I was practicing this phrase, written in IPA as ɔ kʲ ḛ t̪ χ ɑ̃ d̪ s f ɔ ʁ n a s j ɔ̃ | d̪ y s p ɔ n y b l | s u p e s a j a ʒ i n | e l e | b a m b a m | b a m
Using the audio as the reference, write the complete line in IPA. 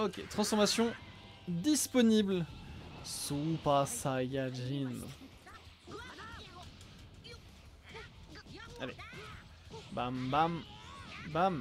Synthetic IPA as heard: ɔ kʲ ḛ t̪ χ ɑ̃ s f ɔ ʁ m a s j ɔ̃ | d̪ i s p ɔ n i b l | s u p a s a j a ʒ i n | a l e | b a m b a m | b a m